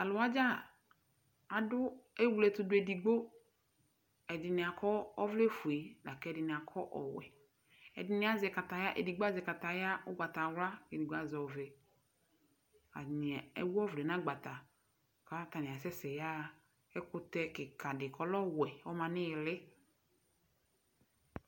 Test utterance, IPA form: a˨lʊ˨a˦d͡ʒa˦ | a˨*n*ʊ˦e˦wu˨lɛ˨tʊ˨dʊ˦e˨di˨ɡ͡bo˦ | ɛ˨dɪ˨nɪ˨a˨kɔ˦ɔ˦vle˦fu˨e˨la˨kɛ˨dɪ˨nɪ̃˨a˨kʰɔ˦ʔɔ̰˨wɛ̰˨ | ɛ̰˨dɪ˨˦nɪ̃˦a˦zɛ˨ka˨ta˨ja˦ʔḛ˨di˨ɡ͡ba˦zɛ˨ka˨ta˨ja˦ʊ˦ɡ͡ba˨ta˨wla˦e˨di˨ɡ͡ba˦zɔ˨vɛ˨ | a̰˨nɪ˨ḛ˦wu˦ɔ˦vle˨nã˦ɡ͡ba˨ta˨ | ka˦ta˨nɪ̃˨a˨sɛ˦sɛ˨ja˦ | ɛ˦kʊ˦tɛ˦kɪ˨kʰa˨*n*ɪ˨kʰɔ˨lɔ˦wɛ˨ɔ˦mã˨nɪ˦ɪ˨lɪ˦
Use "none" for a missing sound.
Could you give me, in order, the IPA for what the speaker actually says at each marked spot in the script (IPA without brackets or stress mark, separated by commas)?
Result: d, d